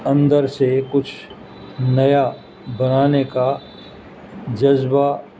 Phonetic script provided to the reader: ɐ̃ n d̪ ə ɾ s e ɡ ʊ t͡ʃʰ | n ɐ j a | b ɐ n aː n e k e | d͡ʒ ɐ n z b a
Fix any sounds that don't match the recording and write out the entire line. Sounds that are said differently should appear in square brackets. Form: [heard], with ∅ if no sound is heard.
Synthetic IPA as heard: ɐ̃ n d̪ ə ɾ s e [k] ʊ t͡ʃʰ | n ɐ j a | b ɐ n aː n e k [a] | d͡ʒ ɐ [∅] z b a